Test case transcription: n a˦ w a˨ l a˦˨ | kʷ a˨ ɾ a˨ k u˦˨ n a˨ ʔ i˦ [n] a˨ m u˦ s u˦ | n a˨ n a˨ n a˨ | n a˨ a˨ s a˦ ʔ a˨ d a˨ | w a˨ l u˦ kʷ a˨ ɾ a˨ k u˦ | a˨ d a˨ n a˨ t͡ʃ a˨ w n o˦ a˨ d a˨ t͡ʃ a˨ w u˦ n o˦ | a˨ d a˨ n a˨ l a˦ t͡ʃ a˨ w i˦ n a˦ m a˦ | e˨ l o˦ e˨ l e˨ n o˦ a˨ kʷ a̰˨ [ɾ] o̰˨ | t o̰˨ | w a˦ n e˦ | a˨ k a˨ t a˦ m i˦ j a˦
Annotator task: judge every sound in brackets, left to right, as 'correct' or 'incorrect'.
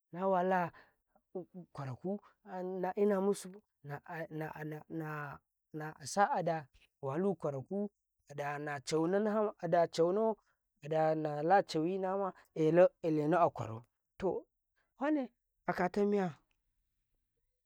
correct, correct

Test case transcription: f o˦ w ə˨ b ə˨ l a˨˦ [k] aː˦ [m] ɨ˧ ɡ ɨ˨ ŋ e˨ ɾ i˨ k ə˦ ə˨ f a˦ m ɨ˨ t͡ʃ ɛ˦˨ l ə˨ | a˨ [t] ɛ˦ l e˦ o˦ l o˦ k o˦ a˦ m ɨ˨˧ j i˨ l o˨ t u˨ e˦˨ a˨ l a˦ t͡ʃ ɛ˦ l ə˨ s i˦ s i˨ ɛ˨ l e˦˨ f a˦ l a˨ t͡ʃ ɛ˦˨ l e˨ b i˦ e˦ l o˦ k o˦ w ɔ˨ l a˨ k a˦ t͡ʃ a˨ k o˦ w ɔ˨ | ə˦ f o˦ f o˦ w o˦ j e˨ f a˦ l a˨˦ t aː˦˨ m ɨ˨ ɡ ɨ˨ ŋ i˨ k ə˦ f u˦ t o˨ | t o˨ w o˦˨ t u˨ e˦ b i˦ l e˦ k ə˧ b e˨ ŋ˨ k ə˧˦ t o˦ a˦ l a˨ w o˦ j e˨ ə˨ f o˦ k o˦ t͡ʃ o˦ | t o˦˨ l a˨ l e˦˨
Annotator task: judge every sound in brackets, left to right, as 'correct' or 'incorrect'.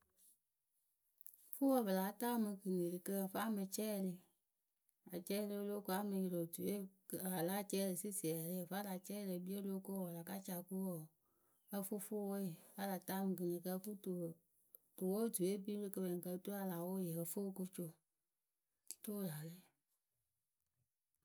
incorrect, correct, incorrect

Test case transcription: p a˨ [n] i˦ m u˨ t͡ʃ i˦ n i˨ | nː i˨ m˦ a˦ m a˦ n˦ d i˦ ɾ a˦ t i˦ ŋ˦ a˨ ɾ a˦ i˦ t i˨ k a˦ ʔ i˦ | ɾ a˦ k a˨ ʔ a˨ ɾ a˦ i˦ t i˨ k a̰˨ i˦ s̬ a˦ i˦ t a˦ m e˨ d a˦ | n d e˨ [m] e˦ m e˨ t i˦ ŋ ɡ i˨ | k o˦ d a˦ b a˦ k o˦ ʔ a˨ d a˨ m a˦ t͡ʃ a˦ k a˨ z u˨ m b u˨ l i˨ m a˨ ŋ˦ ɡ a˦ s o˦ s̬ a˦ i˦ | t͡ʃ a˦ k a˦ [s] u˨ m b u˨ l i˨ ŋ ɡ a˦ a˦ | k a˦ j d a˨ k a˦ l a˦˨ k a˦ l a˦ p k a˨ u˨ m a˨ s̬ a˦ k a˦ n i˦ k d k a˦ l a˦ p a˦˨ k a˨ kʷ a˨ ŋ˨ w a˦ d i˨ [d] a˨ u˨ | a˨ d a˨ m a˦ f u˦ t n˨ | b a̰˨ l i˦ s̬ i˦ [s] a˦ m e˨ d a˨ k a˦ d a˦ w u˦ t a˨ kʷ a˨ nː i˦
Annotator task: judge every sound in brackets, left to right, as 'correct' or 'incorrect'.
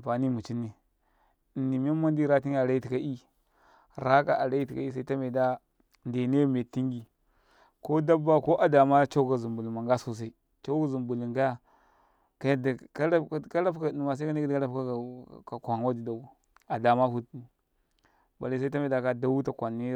correct, incorrect, incorrect, correct, incorrect

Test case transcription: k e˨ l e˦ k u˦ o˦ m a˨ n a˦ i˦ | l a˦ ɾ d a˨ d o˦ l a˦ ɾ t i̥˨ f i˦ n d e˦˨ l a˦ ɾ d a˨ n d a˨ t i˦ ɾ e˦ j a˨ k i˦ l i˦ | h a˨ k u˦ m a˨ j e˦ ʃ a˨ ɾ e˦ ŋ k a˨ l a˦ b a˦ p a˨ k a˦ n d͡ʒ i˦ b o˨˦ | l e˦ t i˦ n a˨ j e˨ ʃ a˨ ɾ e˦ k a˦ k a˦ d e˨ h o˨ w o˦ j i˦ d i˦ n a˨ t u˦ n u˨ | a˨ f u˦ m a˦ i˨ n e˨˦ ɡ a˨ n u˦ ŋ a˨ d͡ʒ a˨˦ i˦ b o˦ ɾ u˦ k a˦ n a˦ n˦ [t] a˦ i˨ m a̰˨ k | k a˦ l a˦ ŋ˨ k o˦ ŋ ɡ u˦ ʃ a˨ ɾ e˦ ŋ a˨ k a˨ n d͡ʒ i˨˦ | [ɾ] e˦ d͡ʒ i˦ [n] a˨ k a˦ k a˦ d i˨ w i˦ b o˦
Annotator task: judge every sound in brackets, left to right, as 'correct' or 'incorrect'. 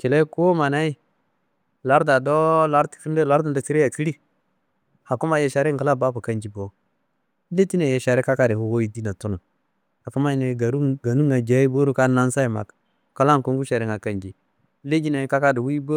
incorrect, incorrect, correct

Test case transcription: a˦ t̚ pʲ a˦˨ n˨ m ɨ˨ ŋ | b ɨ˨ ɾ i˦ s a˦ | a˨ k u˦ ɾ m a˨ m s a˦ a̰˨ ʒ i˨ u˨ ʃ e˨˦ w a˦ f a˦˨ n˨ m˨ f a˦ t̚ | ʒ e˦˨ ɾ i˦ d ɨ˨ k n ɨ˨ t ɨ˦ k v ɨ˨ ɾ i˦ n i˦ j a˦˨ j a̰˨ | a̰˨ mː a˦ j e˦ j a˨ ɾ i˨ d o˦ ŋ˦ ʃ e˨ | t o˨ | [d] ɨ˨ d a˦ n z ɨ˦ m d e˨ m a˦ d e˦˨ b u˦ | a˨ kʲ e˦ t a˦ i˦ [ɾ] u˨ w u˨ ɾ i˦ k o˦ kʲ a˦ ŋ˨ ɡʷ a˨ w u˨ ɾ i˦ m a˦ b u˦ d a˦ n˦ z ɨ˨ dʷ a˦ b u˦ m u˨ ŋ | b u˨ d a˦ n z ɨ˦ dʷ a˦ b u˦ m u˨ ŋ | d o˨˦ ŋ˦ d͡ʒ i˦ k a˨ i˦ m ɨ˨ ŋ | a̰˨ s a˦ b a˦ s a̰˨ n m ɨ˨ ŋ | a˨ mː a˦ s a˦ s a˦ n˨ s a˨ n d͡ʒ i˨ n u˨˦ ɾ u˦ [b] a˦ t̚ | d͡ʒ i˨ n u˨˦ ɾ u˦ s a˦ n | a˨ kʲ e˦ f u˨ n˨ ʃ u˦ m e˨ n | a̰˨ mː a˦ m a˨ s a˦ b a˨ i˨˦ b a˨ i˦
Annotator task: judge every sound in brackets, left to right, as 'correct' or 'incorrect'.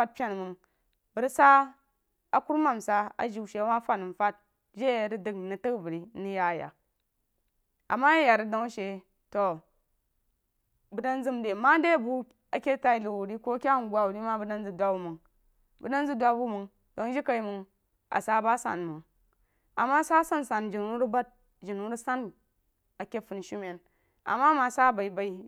incorrect, incorrect, correct

